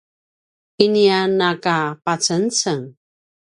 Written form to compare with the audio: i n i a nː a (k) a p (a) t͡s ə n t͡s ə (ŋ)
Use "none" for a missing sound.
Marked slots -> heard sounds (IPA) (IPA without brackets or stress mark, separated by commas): k, a, ŋ